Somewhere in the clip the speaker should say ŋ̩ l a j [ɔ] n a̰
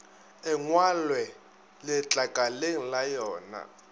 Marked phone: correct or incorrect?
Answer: incorrect